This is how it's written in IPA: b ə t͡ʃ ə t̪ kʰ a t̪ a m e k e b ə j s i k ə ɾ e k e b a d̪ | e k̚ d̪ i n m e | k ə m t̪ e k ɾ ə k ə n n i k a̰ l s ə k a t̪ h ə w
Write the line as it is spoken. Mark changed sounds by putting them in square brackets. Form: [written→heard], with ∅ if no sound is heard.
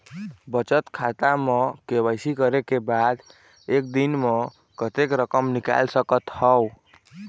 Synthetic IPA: b ə t͡ʃ ə t̪ kʰ a t̪ a m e k e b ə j s i k ə ɾ e k e b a d̪ | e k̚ d̪ i n m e | k ə [m→∅] t̪ e k ɾ ə k ə [n→m] n i k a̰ l s ə k [a→ə] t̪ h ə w